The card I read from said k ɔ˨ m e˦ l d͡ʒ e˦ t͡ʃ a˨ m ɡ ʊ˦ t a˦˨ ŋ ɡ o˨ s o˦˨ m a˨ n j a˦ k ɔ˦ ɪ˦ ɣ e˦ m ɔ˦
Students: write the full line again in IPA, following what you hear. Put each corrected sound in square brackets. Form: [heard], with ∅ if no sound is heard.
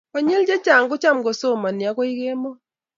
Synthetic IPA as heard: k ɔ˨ [ɲ] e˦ l d͡ʒ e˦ t͡ʃ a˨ [ŋ] ɡ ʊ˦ [t͡ʃ] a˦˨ [m] ɡ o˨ s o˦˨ m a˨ n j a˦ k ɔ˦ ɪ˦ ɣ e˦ m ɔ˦